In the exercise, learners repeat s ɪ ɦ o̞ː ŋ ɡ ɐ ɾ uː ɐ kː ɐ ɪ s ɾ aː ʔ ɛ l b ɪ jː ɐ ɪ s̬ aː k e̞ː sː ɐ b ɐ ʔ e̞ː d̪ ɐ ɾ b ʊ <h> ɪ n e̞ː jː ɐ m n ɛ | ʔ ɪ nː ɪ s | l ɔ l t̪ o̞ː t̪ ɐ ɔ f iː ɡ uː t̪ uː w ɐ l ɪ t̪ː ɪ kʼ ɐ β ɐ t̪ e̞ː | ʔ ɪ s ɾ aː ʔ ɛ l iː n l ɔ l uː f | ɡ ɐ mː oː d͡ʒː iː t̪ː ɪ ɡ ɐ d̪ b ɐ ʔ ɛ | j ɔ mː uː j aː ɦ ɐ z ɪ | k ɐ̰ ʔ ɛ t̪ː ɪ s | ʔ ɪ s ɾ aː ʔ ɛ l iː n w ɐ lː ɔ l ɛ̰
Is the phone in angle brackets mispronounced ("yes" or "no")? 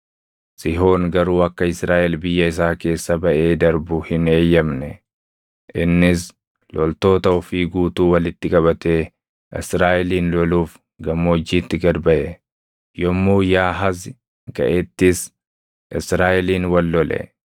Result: no